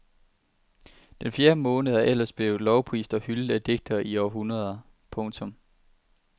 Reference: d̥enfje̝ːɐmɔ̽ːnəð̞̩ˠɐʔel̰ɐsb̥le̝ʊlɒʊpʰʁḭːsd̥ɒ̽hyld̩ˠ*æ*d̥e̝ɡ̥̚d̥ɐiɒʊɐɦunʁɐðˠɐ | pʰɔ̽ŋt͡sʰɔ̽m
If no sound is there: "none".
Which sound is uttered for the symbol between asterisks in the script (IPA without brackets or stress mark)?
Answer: æ